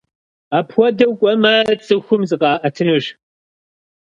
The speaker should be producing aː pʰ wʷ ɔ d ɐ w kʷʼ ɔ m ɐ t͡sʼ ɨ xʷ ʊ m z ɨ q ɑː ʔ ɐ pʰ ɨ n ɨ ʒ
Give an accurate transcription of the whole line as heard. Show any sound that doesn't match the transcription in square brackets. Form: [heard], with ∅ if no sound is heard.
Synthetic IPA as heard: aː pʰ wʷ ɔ d ɐ w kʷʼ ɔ m ɐ t͡sʼ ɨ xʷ ʊ m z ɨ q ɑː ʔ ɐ [tʰ] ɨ n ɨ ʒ